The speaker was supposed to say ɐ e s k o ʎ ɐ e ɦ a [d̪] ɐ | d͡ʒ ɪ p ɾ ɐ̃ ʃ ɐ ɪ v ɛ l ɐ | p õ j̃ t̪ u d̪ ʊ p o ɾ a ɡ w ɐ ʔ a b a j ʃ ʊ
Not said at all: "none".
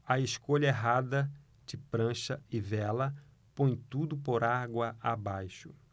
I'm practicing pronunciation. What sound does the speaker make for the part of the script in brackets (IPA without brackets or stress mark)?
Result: d̪